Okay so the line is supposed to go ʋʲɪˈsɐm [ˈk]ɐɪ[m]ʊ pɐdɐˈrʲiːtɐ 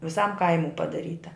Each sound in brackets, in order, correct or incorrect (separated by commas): correct, correct